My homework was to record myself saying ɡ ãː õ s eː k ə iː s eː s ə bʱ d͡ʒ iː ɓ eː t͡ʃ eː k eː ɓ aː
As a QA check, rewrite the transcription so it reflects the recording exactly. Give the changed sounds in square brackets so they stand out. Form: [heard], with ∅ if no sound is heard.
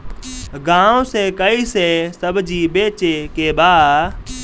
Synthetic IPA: ɡ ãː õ s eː k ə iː s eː s ə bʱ d͡ʒ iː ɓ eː t͡ʃ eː k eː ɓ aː